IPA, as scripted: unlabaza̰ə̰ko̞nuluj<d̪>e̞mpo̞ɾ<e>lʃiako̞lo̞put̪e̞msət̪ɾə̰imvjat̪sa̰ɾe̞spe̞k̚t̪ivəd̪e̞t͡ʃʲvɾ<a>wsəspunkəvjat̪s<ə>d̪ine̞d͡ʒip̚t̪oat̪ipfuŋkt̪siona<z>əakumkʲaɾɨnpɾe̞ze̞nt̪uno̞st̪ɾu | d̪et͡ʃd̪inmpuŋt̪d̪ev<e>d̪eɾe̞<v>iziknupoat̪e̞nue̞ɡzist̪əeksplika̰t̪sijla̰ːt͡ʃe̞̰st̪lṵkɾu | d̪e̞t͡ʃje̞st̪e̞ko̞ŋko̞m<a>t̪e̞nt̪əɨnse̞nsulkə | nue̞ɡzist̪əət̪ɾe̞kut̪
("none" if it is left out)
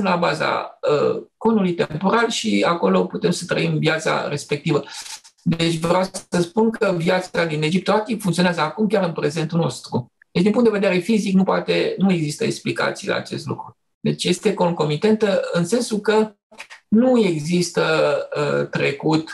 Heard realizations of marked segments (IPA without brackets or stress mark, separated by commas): t̪, a, a, a, z, e, f, i